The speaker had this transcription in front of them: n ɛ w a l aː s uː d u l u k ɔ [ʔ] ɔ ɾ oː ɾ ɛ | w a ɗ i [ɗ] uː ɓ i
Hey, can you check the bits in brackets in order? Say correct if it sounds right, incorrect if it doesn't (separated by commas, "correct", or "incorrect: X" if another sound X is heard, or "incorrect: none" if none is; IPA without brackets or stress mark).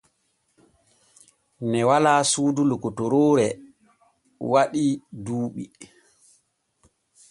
incorrect: t, incorrect: d